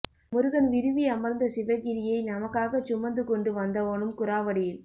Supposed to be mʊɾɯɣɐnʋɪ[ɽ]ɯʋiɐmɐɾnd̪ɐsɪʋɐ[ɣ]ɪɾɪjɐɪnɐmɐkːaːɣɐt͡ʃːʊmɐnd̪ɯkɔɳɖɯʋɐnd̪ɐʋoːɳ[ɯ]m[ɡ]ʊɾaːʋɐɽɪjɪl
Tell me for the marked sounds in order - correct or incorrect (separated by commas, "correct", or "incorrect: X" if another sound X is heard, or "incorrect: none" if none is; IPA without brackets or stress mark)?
incorrect: ɾ, correct, correct, incorrect: k